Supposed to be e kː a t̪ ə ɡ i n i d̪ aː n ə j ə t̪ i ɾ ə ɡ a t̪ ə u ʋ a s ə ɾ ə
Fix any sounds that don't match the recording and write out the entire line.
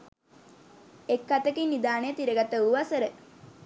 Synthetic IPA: e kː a t̪ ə k i n i d̪ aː n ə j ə t̪ i ɾ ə ɡ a t̪ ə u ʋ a s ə ɾ ə